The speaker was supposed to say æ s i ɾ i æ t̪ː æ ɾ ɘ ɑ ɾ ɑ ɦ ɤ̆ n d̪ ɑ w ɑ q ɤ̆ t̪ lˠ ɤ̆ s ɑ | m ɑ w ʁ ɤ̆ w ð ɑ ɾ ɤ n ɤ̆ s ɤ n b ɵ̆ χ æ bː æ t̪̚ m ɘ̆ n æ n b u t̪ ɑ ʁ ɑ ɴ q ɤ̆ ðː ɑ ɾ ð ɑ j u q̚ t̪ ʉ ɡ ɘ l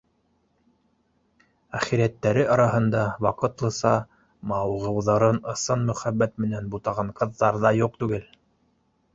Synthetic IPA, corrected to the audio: æ χ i ɾ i æ t̪ː æ ɾ ɘ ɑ ɾ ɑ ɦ ɤ̆ n d̪ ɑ w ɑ q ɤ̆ t̪ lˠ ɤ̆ s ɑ | m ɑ w ʁ ɤ̆ w ð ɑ ɾ ɤ n ɤ̆ s ɤ n m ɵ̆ χ æ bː æ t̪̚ m ɘ̆ n æ n b u t̪ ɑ ʁ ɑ ɴ q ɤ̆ ðː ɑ ɾ ð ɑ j u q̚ t̪ ʉ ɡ ɘ l